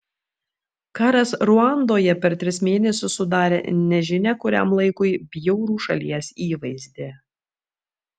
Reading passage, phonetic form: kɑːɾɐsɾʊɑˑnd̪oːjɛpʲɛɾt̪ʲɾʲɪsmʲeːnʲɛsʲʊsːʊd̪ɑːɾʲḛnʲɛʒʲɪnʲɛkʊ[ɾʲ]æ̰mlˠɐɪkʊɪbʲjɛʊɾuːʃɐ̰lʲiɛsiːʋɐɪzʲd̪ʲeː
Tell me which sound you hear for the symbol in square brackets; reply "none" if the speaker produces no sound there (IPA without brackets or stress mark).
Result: ɾʲ